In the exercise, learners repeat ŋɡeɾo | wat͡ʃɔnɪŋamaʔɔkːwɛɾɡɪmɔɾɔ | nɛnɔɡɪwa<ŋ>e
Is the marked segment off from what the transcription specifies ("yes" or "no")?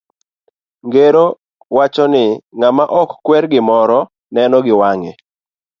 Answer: no